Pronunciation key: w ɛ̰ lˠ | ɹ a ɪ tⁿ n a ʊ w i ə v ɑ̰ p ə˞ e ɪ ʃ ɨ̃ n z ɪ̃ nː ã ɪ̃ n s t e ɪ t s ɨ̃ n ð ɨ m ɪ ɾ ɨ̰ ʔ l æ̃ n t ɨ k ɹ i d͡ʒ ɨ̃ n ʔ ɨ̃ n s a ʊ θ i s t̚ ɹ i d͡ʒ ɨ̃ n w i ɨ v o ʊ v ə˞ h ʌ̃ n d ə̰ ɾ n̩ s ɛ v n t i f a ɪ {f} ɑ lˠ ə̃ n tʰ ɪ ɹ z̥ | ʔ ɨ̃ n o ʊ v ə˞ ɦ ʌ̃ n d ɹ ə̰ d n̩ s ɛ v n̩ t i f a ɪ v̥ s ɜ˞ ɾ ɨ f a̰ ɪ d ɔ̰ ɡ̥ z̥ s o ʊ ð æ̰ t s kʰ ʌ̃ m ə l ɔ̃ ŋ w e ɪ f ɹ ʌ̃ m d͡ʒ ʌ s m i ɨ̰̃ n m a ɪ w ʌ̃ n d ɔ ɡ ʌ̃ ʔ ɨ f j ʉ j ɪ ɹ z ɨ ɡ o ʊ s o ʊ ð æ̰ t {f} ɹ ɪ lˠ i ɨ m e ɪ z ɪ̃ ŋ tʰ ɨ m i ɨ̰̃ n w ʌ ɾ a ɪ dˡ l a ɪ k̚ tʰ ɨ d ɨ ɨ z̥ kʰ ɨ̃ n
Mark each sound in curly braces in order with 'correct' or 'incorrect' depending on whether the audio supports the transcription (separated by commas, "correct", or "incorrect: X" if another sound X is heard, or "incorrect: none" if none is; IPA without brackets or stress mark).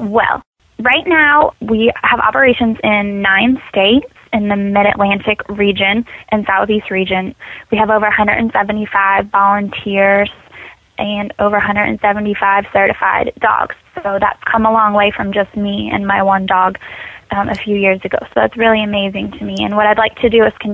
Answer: incorrect: v, incorrect: s